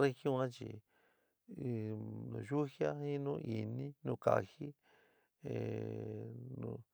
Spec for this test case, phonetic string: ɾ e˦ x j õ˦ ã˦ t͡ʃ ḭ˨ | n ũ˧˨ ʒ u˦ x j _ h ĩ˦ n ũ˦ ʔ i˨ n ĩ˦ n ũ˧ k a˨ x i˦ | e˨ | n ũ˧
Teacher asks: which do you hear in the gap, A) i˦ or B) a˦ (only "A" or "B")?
B